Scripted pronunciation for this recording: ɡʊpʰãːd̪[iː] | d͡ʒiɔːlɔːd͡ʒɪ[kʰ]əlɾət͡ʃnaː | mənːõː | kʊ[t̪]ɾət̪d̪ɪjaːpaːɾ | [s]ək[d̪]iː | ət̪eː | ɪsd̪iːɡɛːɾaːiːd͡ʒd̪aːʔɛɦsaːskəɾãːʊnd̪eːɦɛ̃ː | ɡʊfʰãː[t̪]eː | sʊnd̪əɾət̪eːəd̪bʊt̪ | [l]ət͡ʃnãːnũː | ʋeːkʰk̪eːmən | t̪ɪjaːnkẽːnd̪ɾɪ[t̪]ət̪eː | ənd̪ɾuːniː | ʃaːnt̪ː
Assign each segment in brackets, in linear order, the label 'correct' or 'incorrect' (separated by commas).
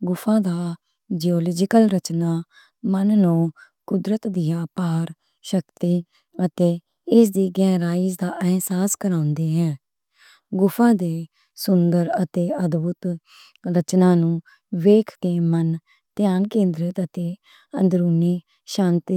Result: incorrect, incorrect, incorrect, incorrect, incorrect, incorrect, incorrect, correct